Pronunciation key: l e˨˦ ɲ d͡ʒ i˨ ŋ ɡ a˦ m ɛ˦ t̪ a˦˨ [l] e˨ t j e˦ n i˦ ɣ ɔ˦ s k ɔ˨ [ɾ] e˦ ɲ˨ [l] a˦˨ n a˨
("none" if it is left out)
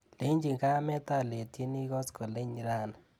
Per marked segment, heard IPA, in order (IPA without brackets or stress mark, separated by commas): l, l, ɾ